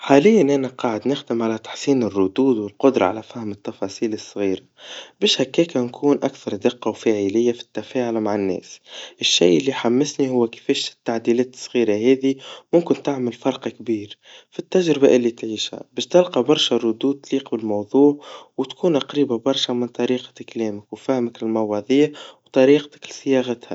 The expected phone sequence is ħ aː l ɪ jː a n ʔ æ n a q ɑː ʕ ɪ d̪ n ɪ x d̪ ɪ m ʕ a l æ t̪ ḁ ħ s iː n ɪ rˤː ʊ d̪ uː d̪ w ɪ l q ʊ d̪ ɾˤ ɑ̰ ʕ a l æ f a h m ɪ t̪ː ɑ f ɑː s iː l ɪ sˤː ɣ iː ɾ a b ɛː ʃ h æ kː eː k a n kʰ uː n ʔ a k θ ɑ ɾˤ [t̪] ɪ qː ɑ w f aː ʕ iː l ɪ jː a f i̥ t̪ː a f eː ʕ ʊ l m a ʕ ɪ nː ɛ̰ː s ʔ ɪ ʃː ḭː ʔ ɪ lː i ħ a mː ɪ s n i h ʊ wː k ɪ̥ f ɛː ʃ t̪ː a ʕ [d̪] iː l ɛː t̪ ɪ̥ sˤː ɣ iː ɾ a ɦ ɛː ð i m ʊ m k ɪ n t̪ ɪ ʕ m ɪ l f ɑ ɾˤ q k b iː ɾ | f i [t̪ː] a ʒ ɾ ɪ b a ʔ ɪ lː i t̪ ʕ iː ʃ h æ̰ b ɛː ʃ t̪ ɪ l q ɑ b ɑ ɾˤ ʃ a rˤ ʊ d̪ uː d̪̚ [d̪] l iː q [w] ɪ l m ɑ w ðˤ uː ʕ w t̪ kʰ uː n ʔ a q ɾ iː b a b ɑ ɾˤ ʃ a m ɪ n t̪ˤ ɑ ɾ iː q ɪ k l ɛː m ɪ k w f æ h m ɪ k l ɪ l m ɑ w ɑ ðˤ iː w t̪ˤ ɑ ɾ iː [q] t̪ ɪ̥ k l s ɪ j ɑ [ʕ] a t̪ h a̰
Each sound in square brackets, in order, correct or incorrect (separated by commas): incorrect, correct, correct, incorrect, incorrect, correct, incorrect